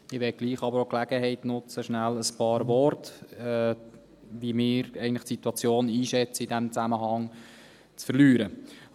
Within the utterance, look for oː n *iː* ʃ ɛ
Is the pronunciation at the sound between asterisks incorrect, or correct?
correct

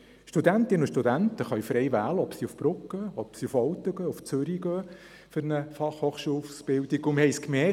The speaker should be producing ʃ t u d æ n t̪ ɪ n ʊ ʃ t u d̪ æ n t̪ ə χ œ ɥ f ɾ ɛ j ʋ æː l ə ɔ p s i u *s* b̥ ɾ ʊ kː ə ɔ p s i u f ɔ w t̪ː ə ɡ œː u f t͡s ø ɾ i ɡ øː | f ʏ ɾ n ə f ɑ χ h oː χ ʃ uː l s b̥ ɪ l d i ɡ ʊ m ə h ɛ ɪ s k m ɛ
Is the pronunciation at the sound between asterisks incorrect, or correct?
incorrect: f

